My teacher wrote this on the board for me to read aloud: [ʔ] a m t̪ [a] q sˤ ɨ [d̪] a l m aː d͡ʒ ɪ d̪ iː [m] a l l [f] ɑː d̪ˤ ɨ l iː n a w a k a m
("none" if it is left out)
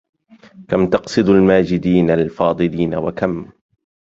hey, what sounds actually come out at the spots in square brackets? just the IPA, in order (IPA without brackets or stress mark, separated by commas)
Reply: k, ɑ, d̪, n, f